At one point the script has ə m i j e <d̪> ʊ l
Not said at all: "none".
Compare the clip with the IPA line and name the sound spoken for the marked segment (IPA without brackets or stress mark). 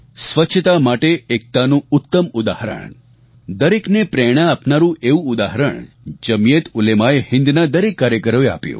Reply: t̪